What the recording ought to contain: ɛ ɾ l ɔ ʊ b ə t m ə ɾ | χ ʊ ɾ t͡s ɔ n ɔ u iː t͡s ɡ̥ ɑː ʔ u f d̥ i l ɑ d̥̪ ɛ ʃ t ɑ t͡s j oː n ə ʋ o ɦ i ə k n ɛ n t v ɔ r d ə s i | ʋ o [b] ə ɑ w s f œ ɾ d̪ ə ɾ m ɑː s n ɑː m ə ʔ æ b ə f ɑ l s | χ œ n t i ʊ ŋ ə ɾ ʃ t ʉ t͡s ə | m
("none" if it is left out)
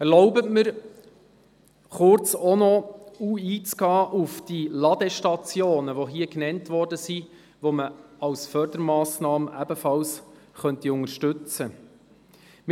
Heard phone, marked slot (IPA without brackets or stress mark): m